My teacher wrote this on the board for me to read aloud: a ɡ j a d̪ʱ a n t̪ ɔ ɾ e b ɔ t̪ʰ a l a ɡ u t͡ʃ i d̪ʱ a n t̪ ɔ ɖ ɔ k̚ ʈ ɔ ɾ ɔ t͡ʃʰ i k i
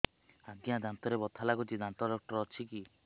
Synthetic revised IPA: a ɡ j a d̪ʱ a n t̪ ɔ ɾ e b ɔ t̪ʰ a l a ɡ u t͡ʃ i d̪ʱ a n t̪ ɔ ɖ ɔ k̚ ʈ ɔ ɾ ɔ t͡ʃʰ i k i